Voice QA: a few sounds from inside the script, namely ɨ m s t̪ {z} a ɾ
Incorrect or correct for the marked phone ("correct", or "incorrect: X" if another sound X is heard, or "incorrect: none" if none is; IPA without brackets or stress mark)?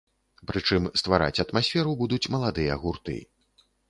incorrect: v